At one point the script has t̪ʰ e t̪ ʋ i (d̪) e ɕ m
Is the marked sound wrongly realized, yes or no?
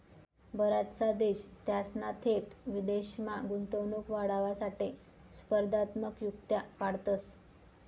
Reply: no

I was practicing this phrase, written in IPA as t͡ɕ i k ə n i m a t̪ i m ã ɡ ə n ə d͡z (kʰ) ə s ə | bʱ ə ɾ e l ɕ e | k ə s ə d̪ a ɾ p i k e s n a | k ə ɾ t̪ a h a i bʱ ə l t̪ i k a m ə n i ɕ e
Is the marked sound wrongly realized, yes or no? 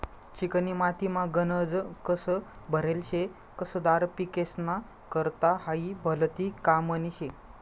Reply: yes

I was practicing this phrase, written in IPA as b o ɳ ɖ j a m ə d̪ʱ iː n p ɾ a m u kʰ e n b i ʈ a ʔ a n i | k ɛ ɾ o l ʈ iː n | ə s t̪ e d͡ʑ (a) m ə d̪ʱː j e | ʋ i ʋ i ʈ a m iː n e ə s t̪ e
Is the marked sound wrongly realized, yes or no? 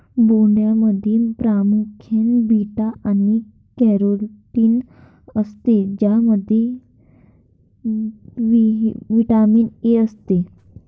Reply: no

